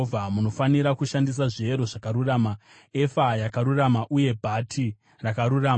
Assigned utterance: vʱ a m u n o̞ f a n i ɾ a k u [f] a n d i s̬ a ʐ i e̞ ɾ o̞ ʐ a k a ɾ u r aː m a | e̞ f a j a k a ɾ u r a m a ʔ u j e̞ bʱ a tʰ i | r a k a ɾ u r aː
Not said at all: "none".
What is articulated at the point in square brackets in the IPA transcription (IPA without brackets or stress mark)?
ʃ